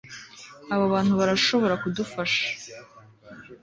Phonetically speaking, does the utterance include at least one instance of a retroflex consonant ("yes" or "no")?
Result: yes